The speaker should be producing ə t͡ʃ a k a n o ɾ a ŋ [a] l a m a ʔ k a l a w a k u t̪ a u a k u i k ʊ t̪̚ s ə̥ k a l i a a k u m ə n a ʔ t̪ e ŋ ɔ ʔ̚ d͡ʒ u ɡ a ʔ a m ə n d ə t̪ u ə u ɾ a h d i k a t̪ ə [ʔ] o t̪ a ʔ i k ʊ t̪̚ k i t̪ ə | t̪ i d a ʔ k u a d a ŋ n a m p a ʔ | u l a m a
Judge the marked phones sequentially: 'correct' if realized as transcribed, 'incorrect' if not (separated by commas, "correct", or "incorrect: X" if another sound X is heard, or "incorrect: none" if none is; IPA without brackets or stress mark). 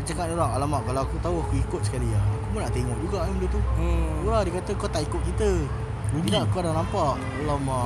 correct, incorrect: k